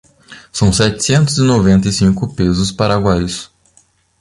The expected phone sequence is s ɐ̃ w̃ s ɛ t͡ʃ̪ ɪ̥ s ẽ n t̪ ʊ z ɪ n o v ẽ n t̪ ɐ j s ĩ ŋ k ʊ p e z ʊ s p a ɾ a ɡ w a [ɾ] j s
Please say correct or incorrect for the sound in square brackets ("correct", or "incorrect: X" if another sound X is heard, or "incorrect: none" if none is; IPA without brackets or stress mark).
incorrect: none